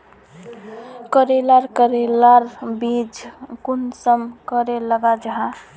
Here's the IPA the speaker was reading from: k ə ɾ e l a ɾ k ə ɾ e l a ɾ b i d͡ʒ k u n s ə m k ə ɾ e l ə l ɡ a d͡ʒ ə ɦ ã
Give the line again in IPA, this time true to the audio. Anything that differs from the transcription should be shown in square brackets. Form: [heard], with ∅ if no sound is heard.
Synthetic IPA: k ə ɾ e l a ɾ k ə ɾ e l a ɾ b i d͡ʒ k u n s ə m k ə ɾ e l ə [∅] ɡ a d͡ʒ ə ɦ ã